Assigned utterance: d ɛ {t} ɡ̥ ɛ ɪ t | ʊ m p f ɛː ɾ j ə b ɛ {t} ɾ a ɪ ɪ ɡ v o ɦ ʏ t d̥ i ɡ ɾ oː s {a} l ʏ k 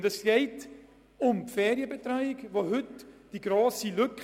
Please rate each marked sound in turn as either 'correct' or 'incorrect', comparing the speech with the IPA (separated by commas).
incorrect, correct, incorrect